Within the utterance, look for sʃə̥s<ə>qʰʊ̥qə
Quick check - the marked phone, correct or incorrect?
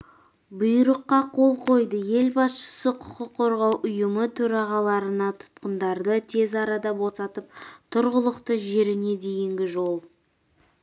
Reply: correct